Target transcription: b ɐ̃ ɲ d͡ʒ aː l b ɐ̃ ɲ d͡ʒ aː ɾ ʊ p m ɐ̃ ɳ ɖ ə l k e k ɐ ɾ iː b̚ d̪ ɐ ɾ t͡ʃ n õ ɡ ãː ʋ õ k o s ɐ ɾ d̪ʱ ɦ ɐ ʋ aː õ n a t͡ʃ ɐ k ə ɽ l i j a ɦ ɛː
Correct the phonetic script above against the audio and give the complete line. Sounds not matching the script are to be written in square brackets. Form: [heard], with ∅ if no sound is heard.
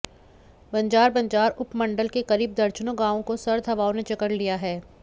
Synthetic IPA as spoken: b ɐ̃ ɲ d͡ʒ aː [ɾ] b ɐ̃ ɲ d͡ʒ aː ɾ ʊ p m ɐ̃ ɳ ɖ ə l k e k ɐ ɾ iː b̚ d̪ ɐ ɾ t͡ʃ n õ ɡ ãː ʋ õ k o s ɐ ɾ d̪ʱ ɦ ɐ ʋ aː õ n [e] t͡ʃ ɐ k ə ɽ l i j a ɦ ɛː

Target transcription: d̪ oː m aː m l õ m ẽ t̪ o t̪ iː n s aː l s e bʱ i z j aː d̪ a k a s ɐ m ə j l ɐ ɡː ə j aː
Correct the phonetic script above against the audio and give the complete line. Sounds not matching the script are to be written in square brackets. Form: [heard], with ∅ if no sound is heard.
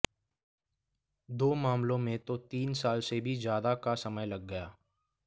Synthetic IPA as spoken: d̪ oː m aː m l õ m ẽ t̪ o t̪ iː n s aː l s e bʱ i z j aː d̪ a k a s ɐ m ə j l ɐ ɡː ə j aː

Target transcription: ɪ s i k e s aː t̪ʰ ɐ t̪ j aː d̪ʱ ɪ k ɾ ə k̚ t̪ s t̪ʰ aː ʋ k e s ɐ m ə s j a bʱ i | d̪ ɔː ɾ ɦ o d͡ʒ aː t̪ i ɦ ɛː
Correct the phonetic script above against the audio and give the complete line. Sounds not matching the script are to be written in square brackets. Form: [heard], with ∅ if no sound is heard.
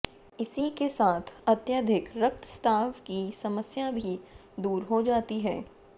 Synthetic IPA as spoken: ɪ s i k e s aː t̪ʰ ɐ t̪ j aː d̪ʱ ɪ k ɾ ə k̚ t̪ s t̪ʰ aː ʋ k [i] s ɐ m ə s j a bʱ i | d̪ [uː] ɾ ɦ o d͡ʒ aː t̪ i ɦ ɛː

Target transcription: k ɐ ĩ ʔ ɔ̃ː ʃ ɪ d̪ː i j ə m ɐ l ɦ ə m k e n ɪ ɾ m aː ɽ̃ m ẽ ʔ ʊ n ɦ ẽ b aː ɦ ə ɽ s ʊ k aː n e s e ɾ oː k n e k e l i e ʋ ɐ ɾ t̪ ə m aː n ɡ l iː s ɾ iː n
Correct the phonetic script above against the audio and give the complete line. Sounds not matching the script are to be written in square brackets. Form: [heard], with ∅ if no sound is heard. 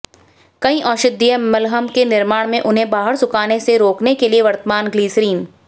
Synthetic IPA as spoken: k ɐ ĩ ʔ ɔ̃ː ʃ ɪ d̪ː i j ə m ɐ l ɦ ə m k e n ɪ ɾ m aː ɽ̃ m ẽ ʔ ʊ n ɦ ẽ b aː ɦ ə [ɾ] s ʊ k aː n e s e ɾ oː k n e k e l i e ʋ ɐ ɾ t̪ ə m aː n ɡ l iː s ɾ iː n

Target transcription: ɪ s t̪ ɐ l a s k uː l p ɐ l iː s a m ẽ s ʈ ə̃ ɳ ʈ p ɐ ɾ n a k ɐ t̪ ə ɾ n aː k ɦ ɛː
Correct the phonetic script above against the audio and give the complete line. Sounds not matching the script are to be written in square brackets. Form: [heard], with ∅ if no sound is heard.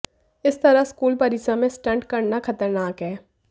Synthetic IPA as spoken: ɪ s t̪ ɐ [ɾ] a s k uː l p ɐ [ɾ] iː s a m ẽ s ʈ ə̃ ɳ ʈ [k] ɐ ɾ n a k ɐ t̪ ə ɾ n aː k ɦ ɛː

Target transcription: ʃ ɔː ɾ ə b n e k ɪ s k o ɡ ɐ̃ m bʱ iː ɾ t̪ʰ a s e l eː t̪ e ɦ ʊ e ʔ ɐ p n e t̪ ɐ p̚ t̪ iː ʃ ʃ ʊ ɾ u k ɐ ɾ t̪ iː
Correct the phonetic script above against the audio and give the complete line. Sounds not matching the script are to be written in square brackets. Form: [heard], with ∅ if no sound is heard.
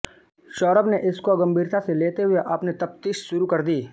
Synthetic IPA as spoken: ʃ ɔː ɾ ə b n e [ʔ] ɪ s k o ɡ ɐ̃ m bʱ iː ɾ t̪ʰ a s e l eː t̪ e ɦ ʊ e ʔ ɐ p n e t̪ ɐ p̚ t̪ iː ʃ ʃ ʊ ɾ u k ɐ ɾ [d̪] iː

